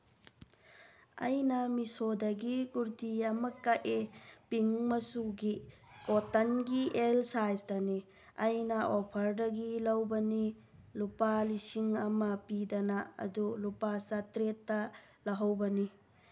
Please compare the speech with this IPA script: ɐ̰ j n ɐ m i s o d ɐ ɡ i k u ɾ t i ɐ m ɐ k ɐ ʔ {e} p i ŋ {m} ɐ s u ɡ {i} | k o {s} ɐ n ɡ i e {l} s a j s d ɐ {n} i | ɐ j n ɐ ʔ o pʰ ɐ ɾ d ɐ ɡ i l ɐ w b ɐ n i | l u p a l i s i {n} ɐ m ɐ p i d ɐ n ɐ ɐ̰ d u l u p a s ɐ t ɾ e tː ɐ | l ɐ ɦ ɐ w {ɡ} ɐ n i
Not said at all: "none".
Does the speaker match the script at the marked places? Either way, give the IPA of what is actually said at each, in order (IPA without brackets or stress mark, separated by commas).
e, m, i, t, l, n, ŋ, b